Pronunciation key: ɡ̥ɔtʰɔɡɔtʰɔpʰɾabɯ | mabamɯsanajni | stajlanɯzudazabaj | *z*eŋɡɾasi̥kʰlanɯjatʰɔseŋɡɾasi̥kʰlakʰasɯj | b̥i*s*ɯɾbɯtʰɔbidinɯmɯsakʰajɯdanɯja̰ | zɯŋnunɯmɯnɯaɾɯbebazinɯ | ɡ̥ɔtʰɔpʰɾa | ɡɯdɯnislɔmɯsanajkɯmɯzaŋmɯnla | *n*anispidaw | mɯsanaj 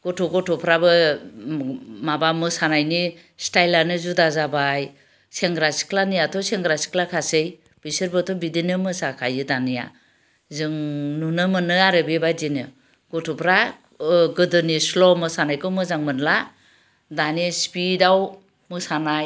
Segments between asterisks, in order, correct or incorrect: incorrect, correct, incorrect

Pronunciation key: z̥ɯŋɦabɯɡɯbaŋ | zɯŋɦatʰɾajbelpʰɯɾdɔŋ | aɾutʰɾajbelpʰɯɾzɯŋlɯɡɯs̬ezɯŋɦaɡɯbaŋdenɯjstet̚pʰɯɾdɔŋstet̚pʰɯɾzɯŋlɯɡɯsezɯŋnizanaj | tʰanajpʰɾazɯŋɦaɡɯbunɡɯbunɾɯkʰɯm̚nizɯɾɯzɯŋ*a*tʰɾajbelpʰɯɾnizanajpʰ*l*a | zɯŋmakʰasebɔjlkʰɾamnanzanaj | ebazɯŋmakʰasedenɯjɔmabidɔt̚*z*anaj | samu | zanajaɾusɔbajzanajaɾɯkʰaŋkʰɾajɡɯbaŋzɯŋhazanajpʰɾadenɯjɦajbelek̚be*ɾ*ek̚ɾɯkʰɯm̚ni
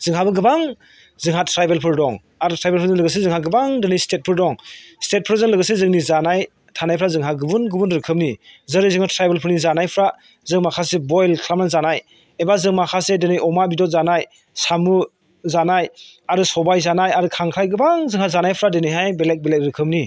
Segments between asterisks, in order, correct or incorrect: correct, incorrect, correct, incorrect

